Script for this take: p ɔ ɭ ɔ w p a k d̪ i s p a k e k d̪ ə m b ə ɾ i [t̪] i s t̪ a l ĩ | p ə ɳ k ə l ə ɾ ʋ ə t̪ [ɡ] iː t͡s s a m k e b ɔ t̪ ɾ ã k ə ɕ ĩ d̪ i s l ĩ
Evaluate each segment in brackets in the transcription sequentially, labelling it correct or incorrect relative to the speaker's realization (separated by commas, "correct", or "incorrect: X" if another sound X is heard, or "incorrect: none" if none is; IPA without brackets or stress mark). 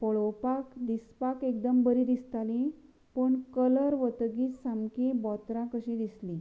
incorrect: d̪, correct